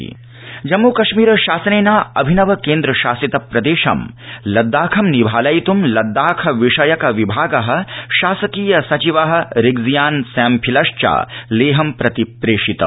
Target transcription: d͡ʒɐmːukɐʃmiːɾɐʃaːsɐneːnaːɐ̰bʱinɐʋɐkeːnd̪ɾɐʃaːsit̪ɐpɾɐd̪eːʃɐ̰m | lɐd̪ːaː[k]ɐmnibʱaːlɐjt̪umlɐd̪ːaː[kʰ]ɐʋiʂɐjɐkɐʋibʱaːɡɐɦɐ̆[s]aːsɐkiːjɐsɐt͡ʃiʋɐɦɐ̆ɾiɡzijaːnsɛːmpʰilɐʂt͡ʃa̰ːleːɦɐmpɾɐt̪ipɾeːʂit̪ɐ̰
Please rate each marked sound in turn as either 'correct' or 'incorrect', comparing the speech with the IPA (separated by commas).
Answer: incorrect, correct, incorrect